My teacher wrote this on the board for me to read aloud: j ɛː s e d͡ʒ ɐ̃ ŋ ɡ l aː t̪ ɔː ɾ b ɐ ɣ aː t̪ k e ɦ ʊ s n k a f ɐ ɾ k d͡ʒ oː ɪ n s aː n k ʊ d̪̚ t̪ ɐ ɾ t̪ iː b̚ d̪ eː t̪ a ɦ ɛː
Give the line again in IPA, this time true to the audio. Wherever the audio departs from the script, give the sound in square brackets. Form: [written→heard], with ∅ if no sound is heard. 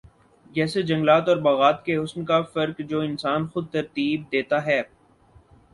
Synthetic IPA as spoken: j ɛː s e d͡ʒ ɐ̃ ŋ ɡ l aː t̪ ɔː ɾ b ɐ ɣ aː t̪ k e ɦ ʊ s n k a f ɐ ɾ k d͡ʒ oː ɪ n s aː n [k→x] ʊ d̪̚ t̪ ɐ ɾ t̪ iː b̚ d̪ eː t̪ a ɦ ɛː